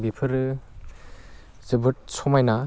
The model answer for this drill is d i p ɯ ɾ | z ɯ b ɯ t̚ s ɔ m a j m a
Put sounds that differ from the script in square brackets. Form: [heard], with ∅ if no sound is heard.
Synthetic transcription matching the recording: [b] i [pʰ] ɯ ɾ | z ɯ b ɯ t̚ s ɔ m a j [n] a